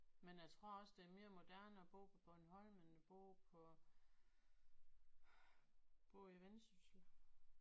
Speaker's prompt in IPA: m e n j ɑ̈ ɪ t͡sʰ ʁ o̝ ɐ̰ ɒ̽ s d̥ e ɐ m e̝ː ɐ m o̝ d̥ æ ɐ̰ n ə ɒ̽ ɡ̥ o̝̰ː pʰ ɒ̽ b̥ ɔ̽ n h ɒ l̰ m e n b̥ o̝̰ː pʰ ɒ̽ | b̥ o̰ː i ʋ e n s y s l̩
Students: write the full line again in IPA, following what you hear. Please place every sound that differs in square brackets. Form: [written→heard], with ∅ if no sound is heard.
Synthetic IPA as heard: m e n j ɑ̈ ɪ t͡sʰ ʁ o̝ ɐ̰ ɒ̽ s d̥ e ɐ m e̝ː ɐ m o̝ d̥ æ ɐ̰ n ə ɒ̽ [ɡ̥→b̥] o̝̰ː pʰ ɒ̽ b̥ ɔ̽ n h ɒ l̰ m e n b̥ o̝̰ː pʰ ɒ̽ | b̥ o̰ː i ʋ e n s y s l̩